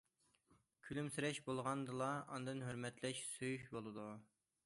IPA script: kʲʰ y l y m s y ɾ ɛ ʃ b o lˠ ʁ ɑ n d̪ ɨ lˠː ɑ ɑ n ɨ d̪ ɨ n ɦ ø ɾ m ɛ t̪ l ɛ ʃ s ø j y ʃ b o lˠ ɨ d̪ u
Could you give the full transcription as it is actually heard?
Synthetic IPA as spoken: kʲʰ y l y m s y ɾ ɛ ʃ b o lˠ ʁ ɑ n d̪ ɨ lˠ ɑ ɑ n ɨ d̪ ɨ n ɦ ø ɾ m ɛ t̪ l ɛ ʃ s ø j y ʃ b o lˠ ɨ d̪ u